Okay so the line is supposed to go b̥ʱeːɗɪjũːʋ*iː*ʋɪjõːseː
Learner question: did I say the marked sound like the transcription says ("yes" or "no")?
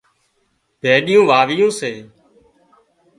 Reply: no